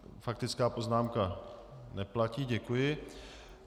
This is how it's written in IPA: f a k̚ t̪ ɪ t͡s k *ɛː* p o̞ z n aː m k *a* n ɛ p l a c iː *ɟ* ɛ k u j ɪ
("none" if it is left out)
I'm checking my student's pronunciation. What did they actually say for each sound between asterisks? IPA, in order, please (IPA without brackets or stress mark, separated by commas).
aː, a, ɟ